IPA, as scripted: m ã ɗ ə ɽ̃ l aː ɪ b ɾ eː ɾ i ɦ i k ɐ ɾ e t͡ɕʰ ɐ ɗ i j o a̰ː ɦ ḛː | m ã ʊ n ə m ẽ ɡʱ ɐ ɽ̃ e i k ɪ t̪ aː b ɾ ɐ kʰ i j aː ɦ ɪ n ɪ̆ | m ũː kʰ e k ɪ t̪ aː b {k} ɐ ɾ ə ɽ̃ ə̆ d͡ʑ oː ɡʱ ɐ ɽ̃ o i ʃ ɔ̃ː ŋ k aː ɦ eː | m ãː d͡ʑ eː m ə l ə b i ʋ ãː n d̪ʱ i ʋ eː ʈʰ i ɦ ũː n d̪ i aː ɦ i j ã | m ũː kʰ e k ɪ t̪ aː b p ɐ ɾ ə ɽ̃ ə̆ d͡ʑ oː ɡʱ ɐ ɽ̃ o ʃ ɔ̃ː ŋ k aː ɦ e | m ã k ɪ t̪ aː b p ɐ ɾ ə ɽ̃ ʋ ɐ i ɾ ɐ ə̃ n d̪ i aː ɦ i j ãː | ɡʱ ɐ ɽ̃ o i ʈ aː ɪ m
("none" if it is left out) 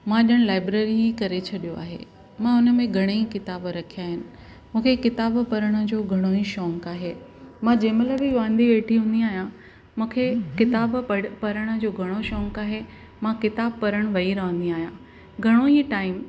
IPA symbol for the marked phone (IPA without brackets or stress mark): p